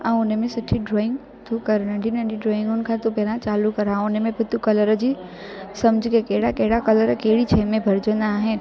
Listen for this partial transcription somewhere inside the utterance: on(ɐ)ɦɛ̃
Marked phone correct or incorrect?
incorrect